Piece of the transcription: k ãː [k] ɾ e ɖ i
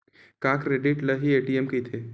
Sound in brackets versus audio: correct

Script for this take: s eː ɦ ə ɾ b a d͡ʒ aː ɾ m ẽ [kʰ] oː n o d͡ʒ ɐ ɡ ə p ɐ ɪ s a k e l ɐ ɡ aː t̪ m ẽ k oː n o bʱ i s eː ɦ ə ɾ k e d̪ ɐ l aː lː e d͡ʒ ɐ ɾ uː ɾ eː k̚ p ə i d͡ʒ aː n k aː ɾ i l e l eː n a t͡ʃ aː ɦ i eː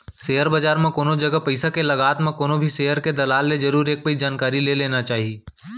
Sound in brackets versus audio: incorrect: k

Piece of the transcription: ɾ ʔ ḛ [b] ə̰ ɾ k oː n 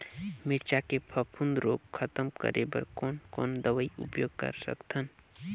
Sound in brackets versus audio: correct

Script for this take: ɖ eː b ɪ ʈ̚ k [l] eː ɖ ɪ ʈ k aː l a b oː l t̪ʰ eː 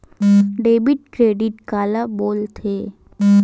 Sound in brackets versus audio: incorrect: ɾ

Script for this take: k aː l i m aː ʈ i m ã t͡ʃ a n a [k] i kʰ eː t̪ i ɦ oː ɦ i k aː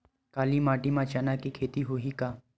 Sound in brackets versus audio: correct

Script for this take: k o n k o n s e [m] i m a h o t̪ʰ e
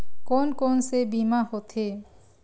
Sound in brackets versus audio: incorrect: b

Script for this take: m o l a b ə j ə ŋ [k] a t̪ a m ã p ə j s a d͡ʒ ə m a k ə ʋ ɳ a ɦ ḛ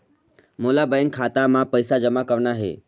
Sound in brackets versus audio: incorrect: kʰ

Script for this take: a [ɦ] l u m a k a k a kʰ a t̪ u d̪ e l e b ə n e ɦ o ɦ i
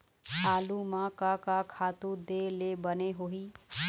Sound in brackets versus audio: incorrect: none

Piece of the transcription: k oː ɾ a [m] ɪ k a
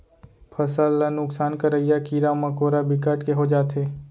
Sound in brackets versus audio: incorrect: b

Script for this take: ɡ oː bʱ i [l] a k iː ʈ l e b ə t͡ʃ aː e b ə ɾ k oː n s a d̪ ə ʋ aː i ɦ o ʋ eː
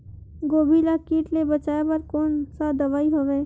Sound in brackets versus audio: correct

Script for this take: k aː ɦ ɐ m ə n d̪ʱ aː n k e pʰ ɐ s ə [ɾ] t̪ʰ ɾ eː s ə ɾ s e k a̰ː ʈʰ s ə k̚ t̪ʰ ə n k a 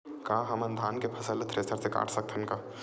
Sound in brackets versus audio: incorrect: l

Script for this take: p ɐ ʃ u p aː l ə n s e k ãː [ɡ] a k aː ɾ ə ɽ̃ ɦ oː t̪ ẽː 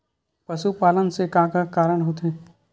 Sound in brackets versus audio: incorrect: k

